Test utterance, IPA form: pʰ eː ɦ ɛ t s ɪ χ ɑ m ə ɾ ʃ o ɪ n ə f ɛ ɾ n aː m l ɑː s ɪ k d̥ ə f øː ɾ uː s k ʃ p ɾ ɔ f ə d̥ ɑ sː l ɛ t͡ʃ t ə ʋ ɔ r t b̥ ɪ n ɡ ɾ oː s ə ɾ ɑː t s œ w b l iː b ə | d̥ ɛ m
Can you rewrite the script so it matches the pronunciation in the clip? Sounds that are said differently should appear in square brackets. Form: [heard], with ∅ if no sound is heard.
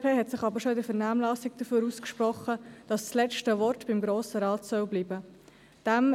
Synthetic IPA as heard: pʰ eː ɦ ɛ t s ɪ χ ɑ [b] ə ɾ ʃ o ɪ [d] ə f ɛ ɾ n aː m l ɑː s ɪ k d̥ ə f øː ɾ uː s k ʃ p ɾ ɔ [χ] ə d̥ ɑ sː l ɛ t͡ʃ t ə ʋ ɔ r t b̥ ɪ [m] ɡ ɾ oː s ə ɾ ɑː t s œ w b l iː b ə | d̥ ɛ m